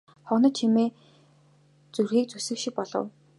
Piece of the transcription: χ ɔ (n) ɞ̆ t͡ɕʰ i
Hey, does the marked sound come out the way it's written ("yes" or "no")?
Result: yes